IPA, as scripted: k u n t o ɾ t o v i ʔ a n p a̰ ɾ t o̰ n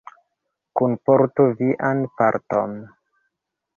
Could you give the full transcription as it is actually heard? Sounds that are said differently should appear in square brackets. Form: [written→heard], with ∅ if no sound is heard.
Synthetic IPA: k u n [t→p] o ɾ t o v i ʔ a n p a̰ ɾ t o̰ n